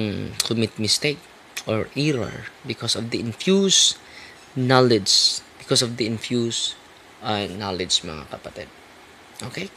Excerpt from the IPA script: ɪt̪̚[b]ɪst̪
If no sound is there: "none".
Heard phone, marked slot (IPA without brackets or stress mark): m